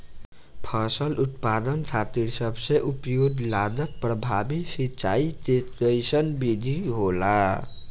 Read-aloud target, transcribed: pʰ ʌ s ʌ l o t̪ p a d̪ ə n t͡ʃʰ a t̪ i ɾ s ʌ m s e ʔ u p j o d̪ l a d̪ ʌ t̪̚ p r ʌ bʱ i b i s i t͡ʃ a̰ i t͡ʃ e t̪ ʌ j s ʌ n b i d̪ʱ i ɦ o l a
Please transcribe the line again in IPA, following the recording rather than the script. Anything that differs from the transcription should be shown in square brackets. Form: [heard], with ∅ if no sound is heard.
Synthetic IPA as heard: pʰ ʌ s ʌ l [u] t̪ p a d̪ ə n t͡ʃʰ a t̪ i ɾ s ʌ [b] s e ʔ u p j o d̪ l a d̪ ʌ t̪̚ p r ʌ bʱ [a] b i s i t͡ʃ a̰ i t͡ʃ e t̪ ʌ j s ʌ n b i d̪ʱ i ɦ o l a

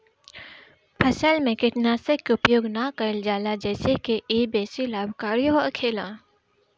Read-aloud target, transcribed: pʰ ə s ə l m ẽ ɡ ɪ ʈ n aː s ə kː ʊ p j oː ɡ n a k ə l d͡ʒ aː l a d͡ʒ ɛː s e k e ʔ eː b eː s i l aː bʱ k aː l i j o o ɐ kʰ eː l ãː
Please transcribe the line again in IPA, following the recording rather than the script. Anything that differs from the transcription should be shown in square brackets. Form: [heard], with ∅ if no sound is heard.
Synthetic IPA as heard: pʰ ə s ə l m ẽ [k] ɪ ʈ n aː s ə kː ʊ p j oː ɡ n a k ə l d͡ʒ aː l a d͡ʒ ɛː s e k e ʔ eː b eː s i l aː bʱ k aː [ɾ] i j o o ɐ kʰ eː l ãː

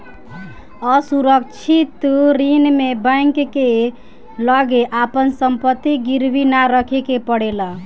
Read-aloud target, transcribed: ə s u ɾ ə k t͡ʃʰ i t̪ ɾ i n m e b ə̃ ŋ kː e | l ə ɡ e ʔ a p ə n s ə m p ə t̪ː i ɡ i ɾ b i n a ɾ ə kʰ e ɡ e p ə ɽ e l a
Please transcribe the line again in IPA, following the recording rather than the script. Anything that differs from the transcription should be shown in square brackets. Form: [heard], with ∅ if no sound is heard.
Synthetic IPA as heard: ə s u ɾ ə k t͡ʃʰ i t̪ ɾ i n m e b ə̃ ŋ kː e | l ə ɡ e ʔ a p ə n s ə m p ə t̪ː i ɡ i ɾ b i n a ɾ ə kʰ e [k] e p ə ɽ e l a

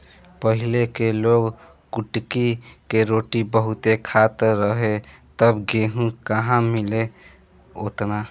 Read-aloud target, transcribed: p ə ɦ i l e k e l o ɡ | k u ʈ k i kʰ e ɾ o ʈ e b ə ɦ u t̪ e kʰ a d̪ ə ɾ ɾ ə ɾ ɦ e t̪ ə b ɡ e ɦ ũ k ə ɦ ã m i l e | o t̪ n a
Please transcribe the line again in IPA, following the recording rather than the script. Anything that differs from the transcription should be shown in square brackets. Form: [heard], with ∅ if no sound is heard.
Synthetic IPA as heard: p ə ɦ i l e k e l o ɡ | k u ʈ k i [k] e ɾ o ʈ [i] b ə ɦ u t̪ e kʰ a [t̪] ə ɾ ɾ ə [∅] ɦ e t̪ ə b ɡ e ɦ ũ k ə ɦ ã m i l e | o t̪ n a

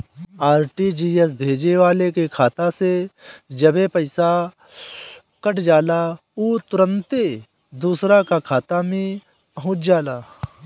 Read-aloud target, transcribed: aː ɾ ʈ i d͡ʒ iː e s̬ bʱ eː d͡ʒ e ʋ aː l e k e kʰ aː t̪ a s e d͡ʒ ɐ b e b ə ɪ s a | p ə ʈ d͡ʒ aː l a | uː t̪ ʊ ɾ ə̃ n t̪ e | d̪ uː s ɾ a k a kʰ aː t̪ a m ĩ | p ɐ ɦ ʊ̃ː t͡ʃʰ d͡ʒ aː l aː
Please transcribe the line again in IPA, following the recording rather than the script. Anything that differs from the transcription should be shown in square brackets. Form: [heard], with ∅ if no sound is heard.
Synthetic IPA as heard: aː ɾ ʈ i d͡ʒ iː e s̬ bʱ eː d͡ʒ e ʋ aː l e k e kʰ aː t̪ a s e d͡ʒ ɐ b e [p] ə ɪ s a | [k] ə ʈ d͡ʒ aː l a | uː t̪ ʊ ɾ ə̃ n t̪ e | d̪ uː s ɾ a k a kʰ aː t̪ a m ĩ | p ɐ ɦ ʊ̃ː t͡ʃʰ d͡ʒ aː l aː

